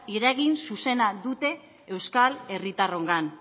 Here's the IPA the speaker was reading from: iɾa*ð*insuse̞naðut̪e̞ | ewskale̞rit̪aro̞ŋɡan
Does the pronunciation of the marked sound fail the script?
yes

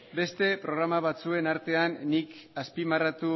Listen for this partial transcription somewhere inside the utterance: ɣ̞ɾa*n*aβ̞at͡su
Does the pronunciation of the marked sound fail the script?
yes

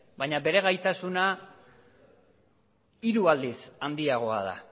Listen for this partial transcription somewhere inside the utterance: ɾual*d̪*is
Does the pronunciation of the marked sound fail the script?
no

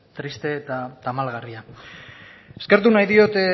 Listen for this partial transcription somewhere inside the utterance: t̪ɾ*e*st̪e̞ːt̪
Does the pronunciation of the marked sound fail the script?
yes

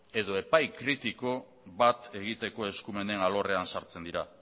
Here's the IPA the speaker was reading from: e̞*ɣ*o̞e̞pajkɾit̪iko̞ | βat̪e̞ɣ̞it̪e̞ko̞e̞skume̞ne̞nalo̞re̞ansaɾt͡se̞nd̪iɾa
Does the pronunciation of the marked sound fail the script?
yes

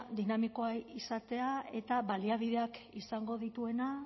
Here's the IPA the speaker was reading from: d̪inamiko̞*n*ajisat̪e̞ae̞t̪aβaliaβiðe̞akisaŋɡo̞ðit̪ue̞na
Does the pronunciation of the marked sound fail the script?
yes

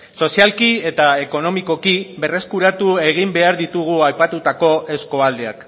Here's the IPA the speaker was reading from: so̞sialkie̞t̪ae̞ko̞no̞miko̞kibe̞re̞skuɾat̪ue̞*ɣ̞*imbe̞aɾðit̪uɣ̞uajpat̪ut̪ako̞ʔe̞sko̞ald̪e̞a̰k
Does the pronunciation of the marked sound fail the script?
no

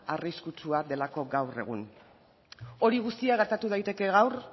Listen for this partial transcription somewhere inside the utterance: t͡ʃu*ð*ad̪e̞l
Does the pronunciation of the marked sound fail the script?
yes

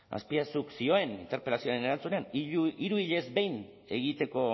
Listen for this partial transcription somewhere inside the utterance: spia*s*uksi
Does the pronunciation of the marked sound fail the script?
no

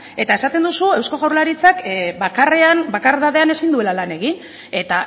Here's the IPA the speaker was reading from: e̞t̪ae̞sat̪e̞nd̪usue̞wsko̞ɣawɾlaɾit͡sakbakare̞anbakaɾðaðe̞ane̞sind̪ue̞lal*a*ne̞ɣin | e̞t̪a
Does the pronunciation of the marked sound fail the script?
no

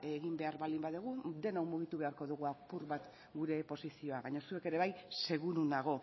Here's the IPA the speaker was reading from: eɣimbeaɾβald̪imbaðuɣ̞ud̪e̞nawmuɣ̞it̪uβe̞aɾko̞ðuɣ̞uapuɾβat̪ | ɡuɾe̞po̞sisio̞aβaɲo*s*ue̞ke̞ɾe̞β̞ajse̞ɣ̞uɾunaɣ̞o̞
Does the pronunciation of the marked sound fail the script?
no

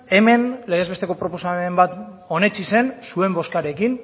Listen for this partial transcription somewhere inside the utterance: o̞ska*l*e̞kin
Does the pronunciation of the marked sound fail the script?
yes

